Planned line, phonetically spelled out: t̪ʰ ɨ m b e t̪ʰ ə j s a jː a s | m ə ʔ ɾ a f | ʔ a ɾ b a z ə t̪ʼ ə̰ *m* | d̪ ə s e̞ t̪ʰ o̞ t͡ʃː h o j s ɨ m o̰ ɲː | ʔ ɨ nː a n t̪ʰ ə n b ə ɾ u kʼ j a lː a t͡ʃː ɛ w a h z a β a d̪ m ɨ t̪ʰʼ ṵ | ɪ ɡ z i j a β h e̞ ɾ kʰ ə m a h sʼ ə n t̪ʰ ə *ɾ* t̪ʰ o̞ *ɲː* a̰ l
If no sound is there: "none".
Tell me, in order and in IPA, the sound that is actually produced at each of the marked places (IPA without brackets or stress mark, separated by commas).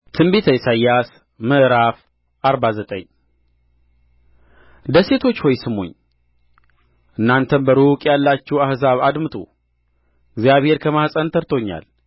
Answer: ɲ, ɾ, ɲː